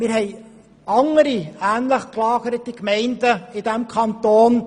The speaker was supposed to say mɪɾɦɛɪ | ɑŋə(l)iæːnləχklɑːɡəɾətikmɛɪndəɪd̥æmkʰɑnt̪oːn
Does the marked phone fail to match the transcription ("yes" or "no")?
yes